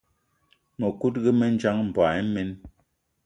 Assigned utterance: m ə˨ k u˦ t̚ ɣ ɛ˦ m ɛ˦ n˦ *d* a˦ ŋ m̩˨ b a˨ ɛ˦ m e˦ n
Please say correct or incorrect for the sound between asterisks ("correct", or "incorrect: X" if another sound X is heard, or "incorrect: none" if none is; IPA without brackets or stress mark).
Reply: incorrect: d͡ʒ